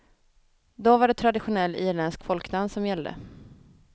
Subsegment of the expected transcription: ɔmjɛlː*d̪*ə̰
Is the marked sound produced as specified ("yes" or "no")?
yes